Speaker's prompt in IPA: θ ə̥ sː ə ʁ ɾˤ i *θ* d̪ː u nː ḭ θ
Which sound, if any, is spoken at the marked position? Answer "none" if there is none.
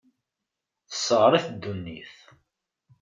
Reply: θ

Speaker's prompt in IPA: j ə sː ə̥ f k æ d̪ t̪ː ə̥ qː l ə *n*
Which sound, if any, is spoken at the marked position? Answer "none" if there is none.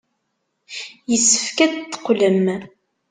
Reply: m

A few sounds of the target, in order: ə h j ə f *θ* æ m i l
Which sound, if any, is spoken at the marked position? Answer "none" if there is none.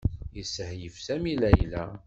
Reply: s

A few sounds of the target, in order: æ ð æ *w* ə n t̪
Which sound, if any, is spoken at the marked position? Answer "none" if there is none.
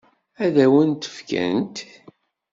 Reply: w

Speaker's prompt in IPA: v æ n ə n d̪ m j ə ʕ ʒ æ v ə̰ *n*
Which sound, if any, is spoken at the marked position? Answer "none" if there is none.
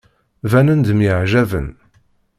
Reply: n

